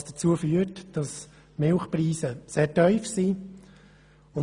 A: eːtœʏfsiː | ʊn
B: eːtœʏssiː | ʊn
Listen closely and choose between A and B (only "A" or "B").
A